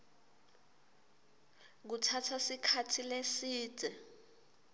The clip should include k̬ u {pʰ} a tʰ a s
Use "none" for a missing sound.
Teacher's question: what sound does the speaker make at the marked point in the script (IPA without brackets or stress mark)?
tʰ